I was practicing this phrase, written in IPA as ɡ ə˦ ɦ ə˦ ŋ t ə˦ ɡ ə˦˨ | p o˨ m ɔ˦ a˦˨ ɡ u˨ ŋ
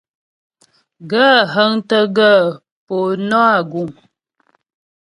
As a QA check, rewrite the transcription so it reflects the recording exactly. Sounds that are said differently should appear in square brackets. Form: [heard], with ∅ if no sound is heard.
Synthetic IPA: ɡ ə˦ ɦ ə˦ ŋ t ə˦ ɡ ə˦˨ | p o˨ [n] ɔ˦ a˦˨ ɡ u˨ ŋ